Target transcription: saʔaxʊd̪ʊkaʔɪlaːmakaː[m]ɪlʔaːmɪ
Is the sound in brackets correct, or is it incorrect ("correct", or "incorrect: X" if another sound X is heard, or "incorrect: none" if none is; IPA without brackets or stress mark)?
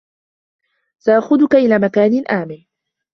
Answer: incorrect: n